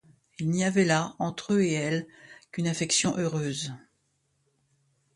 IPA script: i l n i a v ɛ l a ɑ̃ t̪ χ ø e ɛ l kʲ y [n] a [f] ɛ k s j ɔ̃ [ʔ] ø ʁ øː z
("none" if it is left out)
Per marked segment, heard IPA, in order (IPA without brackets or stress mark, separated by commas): n, f, ʔ